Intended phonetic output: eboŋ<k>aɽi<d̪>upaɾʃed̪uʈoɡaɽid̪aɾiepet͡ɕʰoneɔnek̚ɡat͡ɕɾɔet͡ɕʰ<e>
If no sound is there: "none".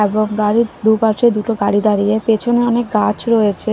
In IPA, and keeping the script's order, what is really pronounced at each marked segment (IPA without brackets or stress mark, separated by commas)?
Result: ɡ, d̪, e